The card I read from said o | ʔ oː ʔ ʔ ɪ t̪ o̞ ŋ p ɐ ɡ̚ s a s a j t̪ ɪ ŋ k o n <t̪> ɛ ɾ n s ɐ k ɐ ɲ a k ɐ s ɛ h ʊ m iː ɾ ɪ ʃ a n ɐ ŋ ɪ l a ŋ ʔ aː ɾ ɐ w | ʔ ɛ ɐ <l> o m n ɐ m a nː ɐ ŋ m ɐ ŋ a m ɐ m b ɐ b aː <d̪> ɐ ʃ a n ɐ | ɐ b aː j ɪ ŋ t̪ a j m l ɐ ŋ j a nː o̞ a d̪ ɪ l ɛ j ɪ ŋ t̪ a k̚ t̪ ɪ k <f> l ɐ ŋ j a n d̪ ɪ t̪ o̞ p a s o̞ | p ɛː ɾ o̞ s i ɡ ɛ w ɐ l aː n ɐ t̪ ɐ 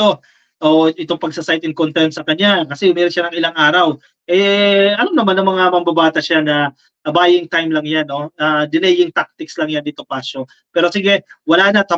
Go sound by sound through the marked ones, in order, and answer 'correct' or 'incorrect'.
correct, correct, incorrect, incorrect

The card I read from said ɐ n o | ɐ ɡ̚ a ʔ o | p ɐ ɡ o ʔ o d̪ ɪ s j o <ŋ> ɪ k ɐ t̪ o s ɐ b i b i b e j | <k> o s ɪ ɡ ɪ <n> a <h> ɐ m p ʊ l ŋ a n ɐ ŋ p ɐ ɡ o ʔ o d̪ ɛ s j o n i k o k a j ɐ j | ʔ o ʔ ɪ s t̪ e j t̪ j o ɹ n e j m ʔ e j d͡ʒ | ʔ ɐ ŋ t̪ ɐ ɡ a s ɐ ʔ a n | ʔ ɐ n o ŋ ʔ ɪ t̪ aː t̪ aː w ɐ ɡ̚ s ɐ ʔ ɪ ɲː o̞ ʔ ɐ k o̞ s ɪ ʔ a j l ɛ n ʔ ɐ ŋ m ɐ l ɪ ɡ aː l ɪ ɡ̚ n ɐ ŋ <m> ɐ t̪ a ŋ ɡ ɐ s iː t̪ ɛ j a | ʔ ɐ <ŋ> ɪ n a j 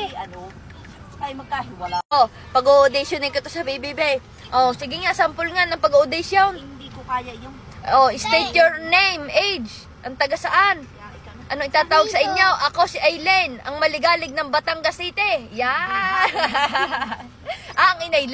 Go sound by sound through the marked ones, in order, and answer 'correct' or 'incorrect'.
incorrect, incorrect, incorrect, incorrect, incorrect, correct

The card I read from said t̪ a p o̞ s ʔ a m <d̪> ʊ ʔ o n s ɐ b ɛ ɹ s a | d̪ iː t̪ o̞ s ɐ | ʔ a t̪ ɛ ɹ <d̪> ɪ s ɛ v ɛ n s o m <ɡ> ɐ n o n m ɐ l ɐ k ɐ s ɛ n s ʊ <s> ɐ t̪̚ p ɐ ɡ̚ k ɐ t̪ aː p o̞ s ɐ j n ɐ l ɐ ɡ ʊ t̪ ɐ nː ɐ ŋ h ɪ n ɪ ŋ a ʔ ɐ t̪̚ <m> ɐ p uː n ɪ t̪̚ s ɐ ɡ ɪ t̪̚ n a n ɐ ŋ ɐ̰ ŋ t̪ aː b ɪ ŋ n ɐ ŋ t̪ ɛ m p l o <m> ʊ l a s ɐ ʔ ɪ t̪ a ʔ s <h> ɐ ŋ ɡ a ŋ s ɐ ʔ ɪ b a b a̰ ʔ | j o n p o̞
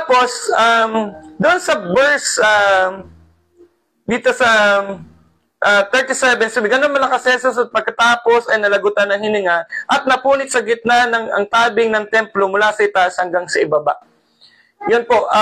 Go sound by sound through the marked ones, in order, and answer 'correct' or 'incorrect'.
correct, incorrect, correct, correct, incorrect, correct, correct

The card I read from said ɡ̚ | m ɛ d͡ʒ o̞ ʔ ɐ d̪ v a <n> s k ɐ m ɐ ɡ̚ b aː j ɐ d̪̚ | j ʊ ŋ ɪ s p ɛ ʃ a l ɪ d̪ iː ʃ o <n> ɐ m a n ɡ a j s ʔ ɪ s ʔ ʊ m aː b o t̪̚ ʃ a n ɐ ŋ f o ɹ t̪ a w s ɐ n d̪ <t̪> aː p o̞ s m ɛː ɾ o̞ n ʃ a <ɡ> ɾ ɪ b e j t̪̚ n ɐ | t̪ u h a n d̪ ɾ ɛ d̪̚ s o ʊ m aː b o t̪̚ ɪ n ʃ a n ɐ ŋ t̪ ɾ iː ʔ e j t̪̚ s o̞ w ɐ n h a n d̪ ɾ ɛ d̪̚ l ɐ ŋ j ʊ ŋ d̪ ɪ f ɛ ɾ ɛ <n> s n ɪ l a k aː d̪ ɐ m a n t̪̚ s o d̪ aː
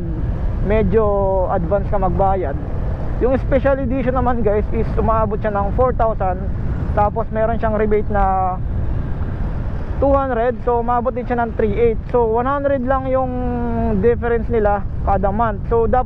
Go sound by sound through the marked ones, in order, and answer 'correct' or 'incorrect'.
correct, correct, correct, incorrect, correct

